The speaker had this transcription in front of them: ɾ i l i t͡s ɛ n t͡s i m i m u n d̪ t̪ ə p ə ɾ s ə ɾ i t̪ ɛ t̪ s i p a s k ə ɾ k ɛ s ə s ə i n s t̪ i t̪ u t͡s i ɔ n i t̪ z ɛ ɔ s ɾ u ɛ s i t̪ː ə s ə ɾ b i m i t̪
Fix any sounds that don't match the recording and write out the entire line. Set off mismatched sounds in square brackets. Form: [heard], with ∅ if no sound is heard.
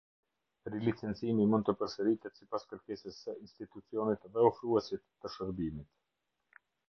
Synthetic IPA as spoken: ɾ i l i t͡s ɛ n t͡s i m i m u n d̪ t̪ ə p ə ɾ s ə ɾ i t̪ ɛ t̪ s i p a s k ə ɾ k ɛ s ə s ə i n s t̪ i t̪ u t͡s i ɔ n i t̪ [ð] ɛ ɔ [f] ɾ u ɛ s i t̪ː ə [ʃ] ə ɾ b i m i t̪